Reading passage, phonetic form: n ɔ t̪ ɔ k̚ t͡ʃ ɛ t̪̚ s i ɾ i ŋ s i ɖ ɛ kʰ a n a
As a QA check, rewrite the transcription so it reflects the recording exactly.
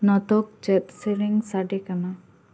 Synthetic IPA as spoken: n ɔ t̪ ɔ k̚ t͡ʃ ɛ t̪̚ s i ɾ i ŋ s a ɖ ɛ k a n a

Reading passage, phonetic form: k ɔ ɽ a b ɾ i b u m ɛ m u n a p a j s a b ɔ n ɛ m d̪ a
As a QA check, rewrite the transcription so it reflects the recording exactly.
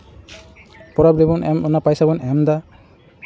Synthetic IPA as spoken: p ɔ ɾ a b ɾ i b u n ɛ m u n a p a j s a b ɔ n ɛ m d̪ a

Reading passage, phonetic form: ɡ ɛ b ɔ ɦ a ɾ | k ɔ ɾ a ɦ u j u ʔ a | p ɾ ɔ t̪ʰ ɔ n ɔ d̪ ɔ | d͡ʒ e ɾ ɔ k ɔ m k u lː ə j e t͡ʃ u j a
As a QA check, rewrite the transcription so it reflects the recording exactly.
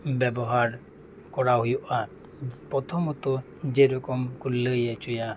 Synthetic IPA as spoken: b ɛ b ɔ ɦ a ɾ | k ɔ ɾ a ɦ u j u ʔ a | p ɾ ɔ t̪ʰ ɔ m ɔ t̪ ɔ | d͡ʒ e ɾ ɔ k ɔ m k u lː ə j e t͡ʃ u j a

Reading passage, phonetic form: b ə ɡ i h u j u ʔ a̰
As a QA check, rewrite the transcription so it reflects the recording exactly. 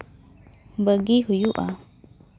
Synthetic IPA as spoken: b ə ɡ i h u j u ʔ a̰

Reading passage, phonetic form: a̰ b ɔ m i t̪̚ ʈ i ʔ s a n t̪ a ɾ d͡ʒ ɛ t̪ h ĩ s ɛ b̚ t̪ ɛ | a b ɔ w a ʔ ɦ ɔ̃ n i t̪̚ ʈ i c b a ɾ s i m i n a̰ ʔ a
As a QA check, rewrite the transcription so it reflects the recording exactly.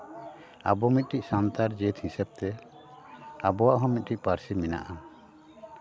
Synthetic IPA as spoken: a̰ b ɔ m i t̪̚ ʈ i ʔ s a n t̪ a ɾ d͡ʒ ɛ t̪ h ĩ s ɛ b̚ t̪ ɛ | a b ɔ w a ʔ ɦ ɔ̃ m i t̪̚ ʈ i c p a ɾ s i m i n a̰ ʔ a

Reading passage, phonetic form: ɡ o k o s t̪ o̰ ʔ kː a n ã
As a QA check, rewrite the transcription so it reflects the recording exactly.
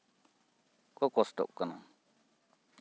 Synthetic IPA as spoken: k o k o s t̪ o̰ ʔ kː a n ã

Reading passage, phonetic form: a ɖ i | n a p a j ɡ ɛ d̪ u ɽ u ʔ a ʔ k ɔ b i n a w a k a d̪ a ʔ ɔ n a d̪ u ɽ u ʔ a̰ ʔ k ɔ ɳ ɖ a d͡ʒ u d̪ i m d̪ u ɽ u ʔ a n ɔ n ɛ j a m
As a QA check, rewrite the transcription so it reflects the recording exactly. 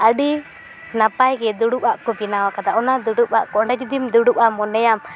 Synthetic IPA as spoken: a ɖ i | n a p a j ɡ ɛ d̪ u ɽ u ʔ a ʔ k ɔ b i n a w a k a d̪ a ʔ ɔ n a d̪ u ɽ u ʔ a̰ ʔ k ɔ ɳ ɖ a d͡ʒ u d̪ i m d̪ u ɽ u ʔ a m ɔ n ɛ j a m

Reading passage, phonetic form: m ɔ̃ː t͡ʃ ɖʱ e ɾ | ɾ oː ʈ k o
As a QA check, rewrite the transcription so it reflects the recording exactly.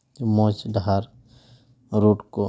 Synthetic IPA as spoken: m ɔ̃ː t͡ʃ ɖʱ a ɾ | ɾ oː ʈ k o

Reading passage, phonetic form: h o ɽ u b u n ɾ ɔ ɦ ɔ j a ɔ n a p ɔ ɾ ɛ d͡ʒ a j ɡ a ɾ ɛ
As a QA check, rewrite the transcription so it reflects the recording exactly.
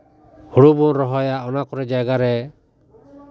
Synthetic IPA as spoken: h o ɽ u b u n ɾ ɔ ɦ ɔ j a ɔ n a k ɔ ɾ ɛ d͡ʒ a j ɡ a ɾ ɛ

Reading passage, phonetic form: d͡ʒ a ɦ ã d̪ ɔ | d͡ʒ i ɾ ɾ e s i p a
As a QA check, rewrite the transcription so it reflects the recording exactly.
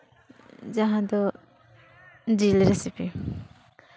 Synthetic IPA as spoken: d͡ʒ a ɦ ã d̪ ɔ | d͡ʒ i l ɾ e s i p i

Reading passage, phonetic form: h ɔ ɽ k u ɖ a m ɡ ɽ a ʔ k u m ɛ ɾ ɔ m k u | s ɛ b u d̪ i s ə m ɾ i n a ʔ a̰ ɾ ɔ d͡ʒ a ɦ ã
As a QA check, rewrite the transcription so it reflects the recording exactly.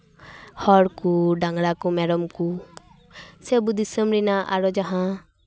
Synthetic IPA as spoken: h ɔ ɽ k u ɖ a ŋ ɡ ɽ a k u m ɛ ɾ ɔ m k u | s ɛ b u d̪ i s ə m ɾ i n a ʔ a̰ ɾ ɔ d͡ʒ a ɦ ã

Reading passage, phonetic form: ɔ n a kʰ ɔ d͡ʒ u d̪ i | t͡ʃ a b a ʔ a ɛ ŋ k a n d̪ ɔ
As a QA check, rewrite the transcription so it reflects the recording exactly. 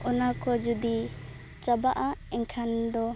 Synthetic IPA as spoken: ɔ n a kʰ ɔ d͡ʒ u d̪ i | t͡ʃ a b a ʔ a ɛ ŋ kʰ a n d̪ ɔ

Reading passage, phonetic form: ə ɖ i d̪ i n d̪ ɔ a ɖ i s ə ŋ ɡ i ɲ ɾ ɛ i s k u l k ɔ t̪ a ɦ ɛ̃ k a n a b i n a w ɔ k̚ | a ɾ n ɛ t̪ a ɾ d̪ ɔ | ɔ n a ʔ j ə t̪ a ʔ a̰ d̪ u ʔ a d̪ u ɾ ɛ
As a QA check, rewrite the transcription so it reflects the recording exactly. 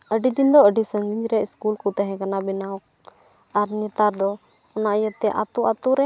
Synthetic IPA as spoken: ə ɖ i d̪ i n d̪ ɔ ə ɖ i s ə ŋ ɡ i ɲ ɾ ɛ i s k u l k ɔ t̪ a ɦ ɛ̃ k a n a b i n a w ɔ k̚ | a ɾ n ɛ t̪ a ɾ d̪ ɔ | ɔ n a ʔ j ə t̪ ɛ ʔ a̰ t̪ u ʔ a t̪ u ɾ ɛ

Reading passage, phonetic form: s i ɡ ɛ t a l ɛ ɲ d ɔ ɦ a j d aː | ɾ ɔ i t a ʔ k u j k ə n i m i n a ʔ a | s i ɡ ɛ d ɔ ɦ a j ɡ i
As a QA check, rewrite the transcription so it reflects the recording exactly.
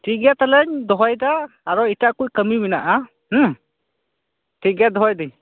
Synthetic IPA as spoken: t i ɡ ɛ t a l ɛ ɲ d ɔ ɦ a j d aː | ɾ ɔ i t a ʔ k u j k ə m i m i n a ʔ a | t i ɡ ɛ d ɔ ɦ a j d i

